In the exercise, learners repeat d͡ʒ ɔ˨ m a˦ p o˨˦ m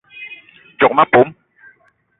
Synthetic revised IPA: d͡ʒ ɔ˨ m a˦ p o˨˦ m